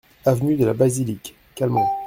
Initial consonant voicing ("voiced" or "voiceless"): voiced